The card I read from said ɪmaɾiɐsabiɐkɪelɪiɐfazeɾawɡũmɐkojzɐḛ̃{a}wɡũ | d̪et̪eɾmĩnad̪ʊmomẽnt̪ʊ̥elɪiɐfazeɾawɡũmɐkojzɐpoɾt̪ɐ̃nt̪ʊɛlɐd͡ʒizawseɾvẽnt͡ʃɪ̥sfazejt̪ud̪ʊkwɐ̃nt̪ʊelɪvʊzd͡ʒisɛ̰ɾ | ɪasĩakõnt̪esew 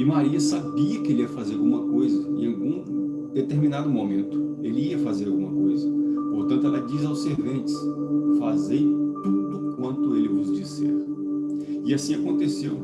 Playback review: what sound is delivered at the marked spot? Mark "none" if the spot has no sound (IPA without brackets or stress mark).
a